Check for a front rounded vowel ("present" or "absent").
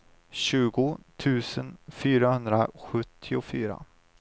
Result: present